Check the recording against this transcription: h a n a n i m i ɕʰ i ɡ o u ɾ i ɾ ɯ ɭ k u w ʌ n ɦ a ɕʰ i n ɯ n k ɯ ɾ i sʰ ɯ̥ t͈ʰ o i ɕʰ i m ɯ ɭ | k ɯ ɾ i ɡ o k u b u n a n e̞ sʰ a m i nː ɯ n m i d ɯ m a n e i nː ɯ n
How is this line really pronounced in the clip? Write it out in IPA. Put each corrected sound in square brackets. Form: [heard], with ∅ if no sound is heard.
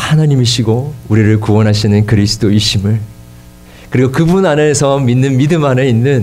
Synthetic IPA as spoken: h a n a [ɲ] i m i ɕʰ i ɡ o u ɾ i ɾ ɯ ɭ k u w ʌ n ɦ a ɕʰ i n ɯ n k ɯ ɾ i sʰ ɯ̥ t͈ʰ o i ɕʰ i m ɯ ɭ | k ɯ ɾ i ɡ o k [ɯ] b u n a n e̞ sʰ [ʌ] m i nː ɯ n m i d ɯ m a n e i nː ɯ n